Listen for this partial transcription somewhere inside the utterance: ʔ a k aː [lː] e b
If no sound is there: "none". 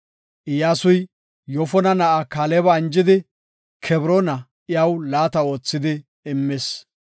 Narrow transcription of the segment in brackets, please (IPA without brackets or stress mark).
l